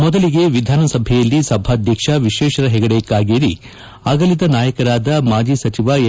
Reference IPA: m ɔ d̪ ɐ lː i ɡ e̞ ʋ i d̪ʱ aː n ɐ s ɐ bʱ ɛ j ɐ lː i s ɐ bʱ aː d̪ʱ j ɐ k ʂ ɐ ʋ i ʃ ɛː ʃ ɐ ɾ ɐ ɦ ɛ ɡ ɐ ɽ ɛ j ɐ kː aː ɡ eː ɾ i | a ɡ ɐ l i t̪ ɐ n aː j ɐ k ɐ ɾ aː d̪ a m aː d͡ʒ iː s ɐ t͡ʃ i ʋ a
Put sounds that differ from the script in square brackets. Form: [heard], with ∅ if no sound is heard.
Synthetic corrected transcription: m ɔ d̪ ɐ [l] i ɡ e̞ ʋ i d̪ʱ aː n ɐ s ɐ bʱ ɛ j ɐ lː i s ɐ bʱ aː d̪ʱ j ɐ k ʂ ɐ ʋ i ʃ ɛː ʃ ɐ ɾ ɐ ɦ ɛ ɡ ɐ ɽ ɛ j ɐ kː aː ɡ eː ɾ i | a ɡ ɐ l i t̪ ɐ n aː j ɐ k ɐ ɾ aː d̪ [ɐ] m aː d͡ʒ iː s ɐ t͡ʃ i ʋ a